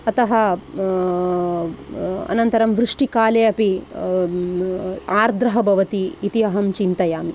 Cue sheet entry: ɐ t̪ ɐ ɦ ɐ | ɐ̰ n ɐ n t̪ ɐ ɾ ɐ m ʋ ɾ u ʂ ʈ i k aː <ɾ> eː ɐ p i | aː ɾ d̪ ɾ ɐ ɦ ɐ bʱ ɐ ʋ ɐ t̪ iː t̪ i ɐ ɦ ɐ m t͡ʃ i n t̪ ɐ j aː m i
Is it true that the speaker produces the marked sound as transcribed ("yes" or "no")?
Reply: no